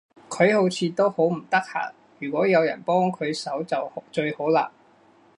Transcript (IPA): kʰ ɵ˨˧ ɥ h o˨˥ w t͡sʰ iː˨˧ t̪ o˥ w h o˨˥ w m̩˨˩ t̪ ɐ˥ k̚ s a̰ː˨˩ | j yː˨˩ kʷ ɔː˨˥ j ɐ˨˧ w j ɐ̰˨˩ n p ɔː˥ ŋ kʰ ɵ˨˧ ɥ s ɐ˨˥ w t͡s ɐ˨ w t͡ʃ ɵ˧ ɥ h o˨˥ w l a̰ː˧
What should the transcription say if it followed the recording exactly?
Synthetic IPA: kʰ ɵ˨˧ ɥ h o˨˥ w t͡sʰ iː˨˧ t̪ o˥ w h o˨˥ w m̩˨˩ t̪ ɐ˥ k̚ h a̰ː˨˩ | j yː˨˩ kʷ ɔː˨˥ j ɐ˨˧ w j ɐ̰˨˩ n p ɔː˥ ŋ kʰ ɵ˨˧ ɥ s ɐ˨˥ w t͡s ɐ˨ w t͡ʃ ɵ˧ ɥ h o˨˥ w l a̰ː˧